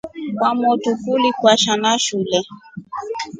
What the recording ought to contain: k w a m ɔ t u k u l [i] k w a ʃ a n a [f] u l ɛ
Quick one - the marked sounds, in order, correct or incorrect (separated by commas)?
correct, incorrect